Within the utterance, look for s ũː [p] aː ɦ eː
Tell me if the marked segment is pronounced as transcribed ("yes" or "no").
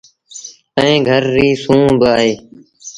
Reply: no